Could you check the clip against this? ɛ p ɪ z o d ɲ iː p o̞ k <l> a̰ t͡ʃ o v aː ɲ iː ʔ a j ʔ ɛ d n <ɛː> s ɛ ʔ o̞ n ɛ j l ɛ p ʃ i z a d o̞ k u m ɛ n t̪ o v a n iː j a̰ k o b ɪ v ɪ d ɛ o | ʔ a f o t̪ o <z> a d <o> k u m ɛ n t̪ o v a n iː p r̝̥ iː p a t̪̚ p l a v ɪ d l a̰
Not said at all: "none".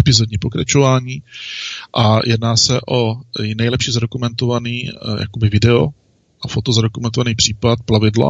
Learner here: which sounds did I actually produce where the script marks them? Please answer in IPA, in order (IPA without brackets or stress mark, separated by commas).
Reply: ɾ, aː, z, o